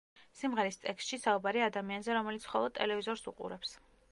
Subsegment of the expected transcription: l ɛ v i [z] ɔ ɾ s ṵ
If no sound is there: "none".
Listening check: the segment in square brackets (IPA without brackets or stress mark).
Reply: z